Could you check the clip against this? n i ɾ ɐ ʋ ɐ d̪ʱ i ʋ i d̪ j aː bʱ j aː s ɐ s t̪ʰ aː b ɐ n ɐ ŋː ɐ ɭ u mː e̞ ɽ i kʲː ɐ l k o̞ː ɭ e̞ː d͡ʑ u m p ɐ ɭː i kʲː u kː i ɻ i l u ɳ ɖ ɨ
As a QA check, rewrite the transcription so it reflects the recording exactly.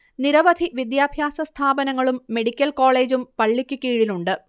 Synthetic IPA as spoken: n i ɾ ɐ ʋ ɐ d̪ʱ i ʋ i d̪ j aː bʱ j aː s ɐ s t̪ʰ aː b ɐ n ɐ ŋː ɐ ɭ u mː e̞ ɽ i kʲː ɐ l k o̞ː ɭ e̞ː d͡ʑ u m p ɐ ɭː i kʲː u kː iː ɻ i l u ɳ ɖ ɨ